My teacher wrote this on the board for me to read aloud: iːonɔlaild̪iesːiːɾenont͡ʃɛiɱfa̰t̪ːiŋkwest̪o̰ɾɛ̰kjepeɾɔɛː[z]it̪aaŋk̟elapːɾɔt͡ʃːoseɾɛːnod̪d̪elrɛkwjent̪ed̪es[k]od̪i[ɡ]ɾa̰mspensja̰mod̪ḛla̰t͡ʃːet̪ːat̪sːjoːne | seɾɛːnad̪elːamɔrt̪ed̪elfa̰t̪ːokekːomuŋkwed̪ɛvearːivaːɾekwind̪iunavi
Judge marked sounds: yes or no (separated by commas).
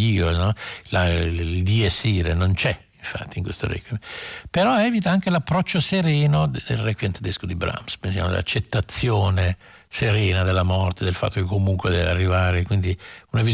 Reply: no, yes, no